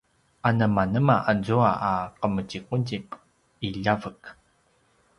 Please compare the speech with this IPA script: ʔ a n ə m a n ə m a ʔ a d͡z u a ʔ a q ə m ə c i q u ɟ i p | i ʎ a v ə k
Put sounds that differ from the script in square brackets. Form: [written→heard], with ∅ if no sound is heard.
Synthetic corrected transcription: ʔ a n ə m a n ə m a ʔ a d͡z u a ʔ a q ə m ə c i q u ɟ i p | i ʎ a v ə k